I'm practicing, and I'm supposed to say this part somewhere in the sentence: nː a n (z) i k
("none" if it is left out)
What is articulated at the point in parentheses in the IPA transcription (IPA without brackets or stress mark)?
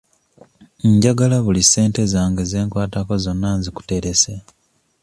z